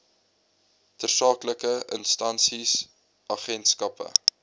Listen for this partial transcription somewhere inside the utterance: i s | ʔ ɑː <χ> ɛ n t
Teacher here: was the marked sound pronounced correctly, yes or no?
yes